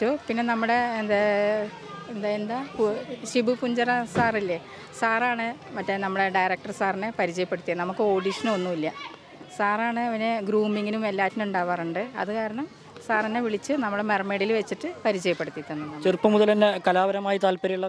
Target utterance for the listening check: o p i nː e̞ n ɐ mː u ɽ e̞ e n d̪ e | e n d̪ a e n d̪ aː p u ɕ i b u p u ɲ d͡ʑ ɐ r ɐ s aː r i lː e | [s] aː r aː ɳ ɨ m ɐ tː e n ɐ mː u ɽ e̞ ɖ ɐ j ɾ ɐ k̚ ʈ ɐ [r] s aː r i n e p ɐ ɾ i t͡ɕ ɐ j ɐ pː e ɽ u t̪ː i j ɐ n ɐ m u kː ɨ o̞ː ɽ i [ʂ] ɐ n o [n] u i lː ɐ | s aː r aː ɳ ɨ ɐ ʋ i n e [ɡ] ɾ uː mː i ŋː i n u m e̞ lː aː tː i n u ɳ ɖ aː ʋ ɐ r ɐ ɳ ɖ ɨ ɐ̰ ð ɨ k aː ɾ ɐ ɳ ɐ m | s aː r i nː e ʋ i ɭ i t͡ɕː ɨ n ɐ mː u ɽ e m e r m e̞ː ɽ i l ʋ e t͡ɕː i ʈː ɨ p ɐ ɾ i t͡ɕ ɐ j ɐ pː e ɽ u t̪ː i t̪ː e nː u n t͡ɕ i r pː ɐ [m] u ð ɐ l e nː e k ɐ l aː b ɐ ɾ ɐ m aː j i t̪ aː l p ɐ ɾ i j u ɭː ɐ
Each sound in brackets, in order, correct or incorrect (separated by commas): correct, correct, correct, incorrect, correct, correct